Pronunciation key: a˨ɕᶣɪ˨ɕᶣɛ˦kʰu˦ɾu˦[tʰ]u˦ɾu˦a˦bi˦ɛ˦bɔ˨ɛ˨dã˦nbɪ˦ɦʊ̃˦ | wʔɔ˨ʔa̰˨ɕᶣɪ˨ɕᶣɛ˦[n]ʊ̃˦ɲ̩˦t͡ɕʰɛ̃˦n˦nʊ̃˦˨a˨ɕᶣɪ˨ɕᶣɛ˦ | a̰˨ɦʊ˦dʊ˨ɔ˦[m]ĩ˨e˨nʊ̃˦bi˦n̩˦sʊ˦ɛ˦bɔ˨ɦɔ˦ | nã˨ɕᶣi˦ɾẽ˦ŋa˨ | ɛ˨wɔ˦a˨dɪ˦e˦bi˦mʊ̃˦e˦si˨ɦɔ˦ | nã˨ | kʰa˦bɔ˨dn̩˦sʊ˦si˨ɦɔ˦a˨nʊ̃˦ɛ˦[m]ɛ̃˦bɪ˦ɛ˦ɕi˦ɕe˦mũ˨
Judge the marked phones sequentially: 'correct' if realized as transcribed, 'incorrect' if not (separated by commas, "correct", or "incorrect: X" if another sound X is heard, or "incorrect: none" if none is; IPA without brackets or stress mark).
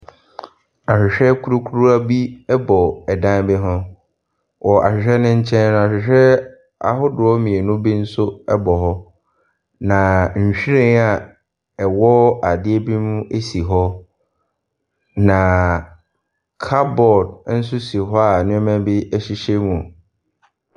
incorrect: kʰ, correct, correct, correct